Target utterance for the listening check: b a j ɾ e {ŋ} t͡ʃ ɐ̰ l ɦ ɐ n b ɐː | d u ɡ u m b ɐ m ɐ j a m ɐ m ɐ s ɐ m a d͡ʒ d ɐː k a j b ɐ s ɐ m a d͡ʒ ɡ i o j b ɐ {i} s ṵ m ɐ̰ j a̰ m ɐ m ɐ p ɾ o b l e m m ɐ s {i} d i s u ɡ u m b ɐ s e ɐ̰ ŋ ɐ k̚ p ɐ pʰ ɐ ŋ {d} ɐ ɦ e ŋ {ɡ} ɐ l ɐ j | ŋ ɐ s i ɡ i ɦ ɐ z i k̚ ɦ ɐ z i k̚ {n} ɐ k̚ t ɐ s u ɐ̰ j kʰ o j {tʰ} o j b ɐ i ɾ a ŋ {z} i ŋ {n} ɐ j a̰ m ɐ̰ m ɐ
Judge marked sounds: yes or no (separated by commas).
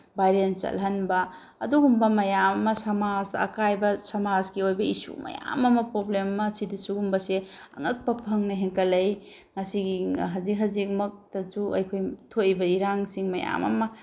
no, yes, yes, no, no, no, yes, no, no